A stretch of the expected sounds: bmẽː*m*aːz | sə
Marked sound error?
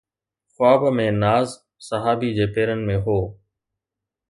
yes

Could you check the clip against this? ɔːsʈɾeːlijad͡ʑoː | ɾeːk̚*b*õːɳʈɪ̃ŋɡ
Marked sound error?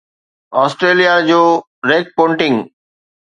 yes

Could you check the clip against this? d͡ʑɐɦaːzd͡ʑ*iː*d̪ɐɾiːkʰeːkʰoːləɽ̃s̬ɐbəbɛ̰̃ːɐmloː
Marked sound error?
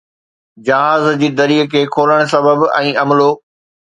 no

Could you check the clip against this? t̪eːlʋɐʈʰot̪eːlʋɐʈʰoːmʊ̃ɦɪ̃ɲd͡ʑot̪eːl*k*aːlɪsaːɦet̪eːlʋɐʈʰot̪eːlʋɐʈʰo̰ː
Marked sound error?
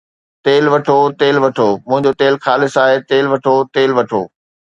yes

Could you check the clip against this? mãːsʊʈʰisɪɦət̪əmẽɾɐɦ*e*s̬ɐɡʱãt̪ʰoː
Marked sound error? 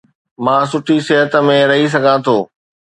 yes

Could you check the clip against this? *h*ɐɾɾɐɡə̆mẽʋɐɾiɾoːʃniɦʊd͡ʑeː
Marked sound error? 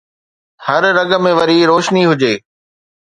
no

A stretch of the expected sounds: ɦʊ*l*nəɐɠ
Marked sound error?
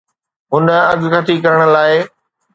yes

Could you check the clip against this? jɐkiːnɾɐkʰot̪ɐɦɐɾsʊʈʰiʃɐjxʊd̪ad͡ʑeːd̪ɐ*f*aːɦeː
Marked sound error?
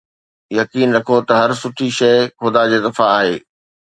no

